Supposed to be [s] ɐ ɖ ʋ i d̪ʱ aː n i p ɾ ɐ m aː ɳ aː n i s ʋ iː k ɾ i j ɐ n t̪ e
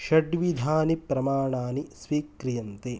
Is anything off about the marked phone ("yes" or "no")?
yes